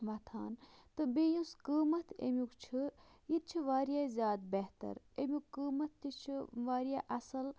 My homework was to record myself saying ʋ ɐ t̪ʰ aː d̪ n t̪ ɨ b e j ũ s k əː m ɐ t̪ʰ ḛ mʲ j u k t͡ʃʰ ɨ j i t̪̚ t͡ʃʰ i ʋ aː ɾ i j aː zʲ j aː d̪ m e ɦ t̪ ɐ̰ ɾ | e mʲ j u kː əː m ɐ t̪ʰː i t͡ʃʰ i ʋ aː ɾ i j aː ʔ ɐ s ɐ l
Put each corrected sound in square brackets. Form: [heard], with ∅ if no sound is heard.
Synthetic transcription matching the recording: ʋ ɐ t̪ʰ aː [∅] n t̪ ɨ b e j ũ s k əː m ɐ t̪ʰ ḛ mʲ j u k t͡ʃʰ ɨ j i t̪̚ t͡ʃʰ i ʋ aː ɾ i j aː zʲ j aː d̪ [b] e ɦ t̪ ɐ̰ ɾ | e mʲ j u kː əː m ɐ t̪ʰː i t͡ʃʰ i ʋ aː ɾ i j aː ʔ ɐ s ɐ l

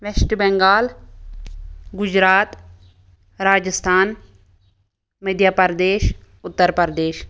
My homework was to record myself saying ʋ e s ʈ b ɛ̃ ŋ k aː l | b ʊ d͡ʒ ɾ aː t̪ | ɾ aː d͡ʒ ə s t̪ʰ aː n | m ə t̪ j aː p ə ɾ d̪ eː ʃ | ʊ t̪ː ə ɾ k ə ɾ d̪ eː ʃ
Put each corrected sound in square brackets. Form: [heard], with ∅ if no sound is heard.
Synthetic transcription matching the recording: ʋ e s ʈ b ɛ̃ ŋ [ɡ] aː l | [ɡ] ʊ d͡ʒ ɾ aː t̪ | ɾ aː d͡ʒ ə s t̪ʰ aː n | m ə [d̪] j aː p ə ɾ d̪ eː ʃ | ʊ t̪ː ə ɾ [p] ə ɾ d̪ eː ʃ

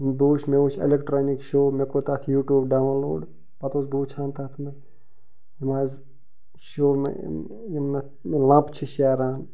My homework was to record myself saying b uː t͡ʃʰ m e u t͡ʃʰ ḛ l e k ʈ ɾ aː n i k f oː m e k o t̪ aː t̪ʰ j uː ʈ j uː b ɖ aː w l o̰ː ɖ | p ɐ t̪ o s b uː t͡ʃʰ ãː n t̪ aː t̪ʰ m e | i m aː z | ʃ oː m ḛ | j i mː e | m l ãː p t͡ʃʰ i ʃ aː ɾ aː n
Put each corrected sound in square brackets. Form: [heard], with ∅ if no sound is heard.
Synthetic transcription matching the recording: b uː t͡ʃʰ m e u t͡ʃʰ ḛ l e k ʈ ɾ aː n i k [ʃ] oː m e k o t̪ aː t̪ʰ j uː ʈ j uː b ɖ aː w l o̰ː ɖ | p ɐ t̪ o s b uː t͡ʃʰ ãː n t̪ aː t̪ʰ m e | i m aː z | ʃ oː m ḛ | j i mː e | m l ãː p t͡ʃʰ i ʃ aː ɾ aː n

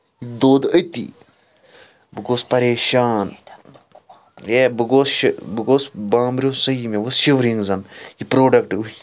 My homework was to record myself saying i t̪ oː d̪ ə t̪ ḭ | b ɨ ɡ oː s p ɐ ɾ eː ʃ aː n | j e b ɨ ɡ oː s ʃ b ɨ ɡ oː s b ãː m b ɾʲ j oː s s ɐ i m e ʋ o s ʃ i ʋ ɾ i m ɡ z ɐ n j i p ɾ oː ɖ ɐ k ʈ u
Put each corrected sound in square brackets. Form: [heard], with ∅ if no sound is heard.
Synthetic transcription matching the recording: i [d̪] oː d̪ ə t̪ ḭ | b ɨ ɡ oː s p ɐ ɾ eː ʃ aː n | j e b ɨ ɡ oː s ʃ b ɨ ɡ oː s b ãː m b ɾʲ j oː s s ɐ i m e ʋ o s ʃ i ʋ ɾ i [ŋ] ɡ z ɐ n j i p ɾ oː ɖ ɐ k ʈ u

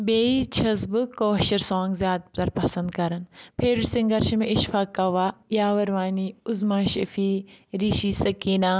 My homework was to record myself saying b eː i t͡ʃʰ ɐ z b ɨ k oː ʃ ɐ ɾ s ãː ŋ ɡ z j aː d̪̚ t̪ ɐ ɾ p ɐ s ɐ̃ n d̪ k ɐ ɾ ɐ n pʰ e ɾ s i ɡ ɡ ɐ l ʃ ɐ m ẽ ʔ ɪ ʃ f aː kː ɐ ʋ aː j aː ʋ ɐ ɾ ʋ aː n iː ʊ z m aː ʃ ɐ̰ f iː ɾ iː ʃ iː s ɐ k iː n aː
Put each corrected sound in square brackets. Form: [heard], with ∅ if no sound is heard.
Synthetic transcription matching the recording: b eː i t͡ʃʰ ɐ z b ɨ k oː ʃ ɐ ɾ s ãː ŋ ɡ z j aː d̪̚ t̪ ɐ ɾ p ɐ s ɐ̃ n d̪ k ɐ ɾ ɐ n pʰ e ɾ s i [ŋ] ɡ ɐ [ɾ] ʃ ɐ m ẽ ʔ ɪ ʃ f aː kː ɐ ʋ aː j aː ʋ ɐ ɾ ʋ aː n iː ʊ z m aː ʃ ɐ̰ f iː ɾ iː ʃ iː s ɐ k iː n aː

